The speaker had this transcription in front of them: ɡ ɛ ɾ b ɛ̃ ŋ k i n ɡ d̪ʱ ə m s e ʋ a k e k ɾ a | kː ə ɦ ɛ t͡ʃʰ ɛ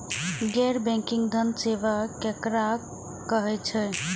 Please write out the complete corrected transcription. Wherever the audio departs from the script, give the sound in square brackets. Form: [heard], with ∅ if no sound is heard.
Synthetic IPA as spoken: ɡ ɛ ɾ b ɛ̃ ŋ k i [ŋ] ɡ d̪ʱ ə [n] s e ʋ a k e k ɾ a | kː ə ɦ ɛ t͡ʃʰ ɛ